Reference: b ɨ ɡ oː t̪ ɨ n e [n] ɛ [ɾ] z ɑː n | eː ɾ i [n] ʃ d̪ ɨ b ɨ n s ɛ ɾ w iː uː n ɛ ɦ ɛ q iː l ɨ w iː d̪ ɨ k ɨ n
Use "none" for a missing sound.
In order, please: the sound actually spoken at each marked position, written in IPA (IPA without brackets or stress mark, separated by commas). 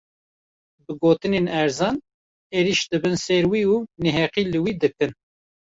n, ɾ, none